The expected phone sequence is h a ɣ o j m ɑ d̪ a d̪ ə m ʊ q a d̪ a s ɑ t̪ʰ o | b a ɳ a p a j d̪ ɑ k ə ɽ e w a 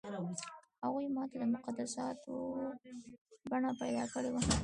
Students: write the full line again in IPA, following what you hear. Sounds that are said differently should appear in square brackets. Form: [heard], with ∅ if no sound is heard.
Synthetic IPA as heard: h a ɣ [u] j m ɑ [t̪] a d̪ ə m ʊ q a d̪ a s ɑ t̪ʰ o | b a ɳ a p a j d̪ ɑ k ə ɽ e w a